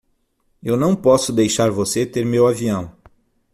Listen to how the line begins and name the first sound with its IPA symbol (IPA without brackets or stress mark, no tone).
e